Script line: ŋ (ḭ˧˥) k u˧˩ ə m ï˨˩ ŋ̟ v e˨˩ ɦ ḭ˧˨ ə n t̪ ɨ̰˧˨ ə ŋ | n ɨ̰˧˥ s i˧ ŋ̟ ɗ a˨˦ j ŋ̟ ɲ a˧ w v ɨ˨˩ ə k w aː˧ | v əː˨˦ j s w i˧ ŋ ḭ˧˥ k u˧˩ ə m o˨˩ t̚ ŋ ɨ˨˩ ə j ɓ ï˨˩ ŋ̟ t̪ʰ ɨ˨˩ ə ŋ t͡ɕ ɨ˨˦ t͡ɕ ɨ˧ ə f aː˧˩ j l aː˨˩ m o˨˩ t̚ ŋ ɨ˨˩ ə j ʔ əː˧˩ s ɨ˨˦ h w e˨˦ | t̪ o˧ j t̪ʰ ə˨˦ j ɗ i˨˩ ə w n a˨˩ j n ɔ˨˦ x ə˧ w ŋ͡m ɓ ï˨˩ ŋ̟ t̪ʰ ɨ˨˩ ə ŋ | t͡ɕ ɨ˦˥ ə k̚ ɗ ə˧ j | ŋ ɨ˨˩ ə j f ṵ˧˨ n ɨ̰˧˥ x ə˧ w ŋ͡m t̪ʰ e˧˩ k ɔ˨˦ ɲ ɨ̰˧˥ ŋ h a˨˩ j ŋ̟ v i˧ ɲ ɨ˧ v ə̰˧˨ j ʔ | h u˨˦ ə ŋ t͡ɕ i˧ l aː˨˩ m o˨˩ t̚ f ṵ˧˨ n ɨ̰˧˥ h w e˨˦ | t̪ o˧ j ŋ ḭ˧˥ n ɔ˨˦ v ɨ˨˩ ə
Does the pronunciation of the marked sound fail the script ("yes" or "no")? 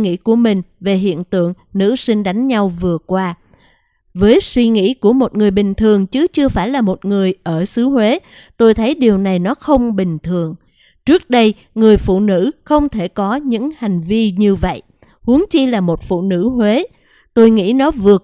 no